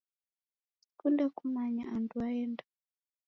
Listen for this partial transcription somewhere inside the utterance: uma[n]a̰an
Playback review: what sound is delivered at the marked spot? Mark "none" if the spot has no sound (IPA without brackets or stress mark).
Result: ɲ